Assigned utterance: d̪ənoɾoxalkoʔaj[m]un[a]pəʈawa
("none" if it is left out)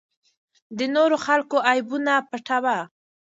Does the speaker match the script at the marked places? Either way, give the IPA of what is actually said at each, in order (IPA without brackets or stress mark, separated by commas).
b, a